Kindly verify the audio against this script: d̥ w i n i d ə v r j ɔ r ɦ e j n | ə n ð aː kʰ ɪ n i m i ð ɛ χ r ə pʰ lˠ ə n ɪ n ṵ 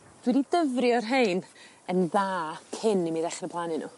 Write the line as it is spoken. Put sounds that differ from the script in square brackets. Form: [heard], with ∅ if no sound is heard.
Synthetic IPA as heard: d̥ w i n i d ə v r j ɔ r ɦ e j n | ə n ð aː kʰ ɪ n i m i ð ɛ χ r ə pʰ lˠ [a] n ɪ n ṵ